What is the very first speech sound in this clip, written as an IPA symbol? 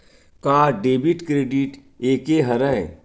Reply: k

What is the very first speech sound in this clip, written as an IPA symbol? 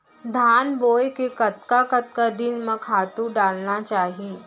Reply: d̪ʱ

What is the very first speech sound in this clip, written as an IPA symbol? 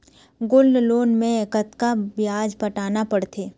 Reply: ɡ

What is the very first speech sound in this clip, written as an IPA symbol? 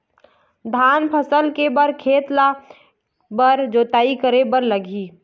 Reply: d̪ʱ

